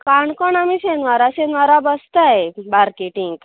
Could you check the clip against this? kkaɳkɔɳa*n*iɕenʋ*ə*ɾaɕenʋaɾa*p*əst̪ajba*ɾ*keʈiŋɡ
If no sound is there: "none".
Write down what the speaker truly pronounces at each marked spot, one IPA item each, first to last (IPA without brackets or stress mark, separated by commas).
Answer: m, a, b, ɾ